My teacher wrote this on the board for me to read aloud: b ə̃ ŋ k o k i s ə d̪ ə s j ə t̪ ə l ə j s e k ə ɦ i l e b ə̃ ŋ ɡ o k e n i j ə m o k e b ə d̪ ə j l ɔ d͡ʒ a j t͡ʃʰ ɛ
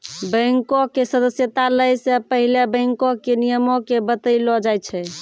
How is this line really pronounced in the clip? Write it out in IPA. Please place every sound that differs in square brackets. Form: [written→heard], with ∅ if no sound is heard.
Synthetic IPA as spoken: b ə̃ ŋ k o k [i→e] s ə d̪ ə s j ə t̪ [ə→a] l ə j s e [k→p] ə ɦ i l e b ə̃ ŋ [ɡ→k] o k e n i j ə m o k e b ə [d̪→t̪] ə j l ɔ d͡ʒ a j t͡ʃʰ ɛ